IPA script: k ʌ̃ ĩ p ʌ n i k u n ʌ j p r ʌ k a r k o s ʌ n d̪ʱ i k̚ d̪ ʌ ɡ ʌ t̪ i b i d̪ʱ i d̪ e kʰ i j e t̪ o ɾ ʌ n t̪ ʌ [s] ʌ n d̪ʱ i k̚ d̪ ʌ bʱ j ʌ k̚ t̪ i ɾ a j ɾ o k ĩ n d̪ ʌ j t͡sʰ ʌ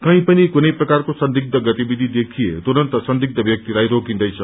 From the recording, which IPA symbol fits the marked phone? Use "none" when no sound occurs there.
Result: s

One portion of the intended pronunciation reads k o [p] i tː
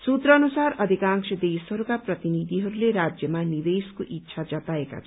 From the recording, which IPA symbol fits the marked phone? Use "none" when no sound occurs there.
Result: ʔ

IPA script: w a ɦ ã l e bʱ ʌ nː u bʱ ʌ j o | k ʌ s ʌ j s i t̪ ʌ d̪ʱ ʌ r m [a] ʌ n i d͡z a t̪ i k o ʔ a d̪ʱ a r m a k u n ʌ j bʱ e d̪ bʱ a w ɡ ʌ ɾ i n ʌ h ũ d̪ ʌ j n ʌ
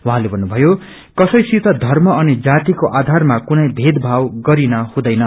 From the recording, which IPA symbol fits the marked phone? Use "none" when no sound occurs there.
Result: ʌ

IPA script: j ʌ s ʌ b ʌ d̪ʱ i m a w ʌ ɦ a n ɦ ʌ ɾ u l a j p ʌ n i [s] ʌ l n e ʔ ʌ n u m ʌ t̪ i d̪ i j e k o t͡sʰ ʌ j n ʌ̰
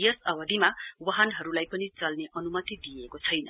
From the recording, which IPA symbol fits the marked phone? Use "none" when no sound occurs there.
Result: t͡s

